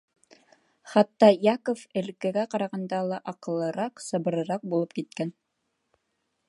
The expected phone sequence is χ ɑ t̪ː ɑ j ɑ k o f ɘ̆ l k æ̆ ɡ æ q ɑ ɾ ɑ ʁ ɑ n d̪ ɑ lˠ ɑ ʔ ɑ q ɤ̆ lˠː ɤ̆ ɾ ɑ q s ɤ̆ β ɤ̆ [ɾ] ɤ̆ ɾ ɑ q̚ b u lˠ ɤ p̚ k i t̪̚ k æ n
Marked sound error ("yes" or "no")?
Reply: no